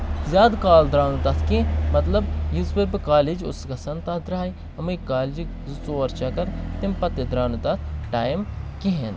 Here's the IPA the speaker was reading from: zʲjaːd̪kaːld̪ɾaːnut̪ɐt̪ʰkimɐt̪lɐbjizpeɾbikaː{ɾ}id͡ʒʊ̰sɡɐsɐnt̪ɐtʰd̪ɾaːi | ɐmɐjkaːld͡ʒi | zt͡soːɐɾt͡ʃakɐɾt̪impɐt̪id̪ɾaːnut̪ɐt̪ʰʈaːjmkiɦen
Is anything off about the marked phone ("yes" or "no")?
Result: yes